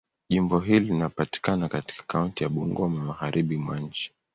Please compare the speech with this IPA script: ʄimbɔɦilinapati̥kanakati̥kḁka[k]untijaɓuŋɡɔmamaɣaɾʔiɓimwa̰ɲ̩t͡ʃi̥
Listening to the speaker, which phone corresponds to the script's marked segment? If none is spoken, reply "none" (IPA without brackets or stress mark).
none